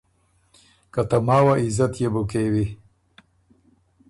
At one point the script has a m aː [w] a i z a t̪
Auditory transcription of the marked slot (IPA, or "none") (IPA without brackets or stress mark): w